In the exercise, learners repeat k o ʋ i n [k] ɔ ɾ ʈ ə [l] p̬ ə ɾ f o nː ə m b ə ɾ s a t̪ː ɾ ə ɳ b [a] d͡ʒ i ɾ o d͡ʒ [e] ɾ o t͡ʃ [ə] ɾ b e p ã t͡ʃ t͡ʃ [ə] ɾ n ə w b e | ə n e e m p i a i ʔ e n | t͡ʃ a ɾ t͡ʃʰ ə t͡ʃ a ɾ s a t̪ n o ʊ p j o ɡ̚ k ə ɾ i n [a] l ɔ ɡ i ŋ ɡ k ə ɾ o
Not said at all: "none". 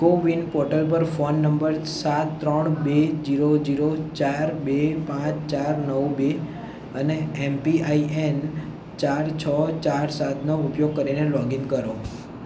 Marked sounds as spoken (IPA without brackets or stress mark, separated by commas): p, l, e, i, a, a, e